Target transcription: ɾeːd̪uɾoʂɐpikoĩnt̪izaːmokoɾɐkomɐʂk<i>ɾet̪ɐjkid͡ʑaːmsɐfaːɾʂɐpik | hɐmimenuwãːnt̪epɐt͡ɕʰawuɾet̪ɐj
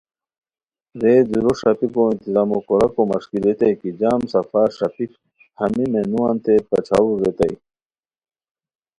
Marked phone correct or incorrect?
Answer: correct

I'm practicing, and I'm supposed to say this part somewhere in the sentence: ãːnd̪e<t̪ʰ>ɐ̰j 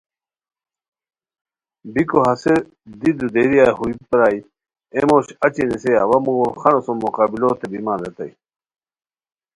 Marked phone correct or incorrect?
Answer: incorrect: t̪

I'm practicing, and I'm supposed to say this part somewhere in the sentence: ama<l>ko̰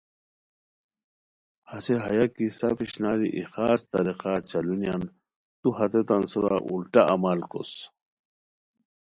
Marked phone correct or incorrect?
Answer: correct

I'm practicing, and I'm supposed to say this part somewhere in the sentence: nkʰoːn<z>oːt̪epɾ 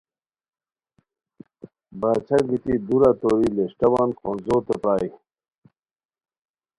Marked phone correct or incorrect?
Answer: correct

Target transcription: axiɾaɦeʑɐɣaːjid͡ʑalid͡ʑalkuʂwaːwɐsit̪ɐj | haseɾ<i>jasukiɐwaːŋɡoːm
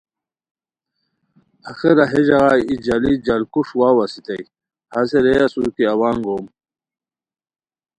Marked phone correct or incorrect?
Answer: incorrect: e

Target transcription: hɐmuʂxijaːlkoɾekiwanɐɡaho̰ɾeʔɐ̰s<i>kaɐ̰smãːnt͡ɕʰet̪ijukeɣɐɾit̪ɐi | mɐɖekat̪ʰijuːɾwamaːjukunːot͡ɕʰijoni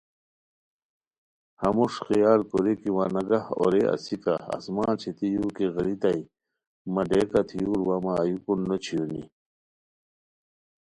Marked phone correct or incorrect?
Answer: correct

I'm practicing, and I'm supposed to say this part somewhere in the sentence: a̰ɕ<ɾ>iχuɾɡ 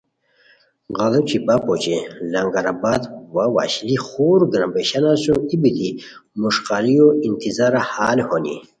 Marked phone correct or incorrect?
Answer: incorrect: l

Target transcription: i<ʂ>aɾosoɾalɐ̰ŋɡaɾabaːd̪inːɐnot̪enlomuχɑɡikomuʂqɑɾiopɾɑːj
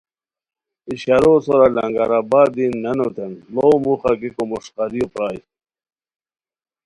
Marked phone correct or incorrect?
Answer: incorrect: ɕ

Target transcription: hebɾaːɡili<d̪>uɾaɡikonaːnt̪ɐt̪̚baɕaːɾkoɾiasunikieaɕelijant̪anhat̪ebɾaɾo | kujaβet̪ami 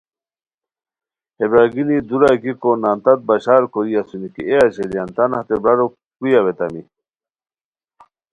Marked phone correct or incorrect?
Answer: correct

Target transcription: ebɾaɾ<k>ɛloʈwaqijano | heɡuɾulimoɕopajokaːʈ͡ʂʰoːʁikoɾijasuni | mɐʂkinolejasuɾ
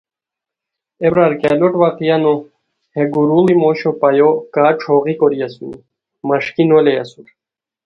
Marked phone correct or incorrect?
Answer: correct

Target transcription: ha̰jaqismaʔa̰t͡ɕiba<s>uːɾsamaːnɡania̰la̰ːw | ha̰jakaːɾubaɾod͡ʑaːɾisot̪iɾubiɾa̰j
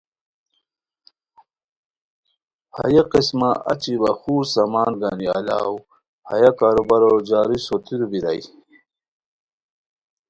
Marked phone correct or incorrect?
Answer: incorrect: x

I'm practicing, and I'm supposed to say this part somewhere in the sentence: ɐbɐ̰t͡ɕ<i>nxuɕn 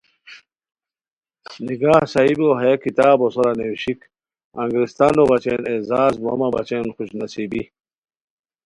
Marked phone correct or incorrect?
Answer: incorrect: e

